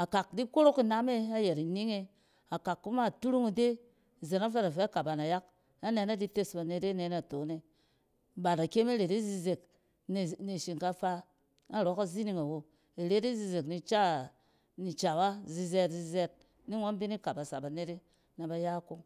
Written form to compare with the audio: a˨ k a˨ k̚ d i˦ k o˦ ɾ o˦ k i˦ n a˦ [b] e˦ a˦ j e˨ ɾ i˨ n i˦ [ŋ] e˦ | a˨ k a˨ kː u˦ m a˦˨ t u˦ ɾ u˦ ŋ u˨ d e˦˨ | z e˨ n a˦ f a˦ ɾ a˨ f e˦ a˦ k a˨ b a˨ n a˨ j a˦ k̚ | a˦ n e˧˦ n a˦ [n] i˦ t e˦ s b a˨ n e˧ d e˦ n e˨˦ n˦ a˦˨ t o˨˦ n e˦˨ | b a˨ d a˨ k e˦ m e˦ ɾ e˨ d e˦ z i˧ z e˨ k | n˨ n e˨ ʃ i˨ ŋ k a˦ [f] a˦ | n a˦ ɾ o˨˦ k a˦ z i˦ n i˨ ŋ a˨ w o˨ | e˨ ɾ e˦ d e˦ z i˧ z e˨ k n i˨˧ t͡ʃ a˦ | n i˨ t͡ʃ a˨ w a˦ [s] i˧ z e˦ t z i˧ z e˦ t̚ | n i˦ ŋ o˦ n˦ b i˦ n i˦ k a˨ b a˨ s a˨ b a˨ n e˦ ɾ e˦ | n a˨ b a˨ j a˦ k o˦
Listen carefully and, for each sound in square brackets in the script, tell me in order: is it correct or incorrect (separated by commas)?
incorrect, correct, incorrect, correct, incorrect